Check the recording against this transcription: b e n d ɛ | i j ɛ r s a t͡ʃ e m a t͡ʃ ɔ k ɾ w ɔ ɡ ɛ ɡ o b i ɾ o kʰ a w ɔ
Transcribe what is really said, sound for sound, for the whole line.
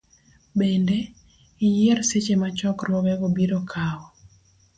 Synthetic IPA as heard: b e n d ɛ | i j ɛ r s e t͡ʃ e m a t͡ʃ ɔ k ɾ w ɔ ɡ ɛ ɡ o b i ɾ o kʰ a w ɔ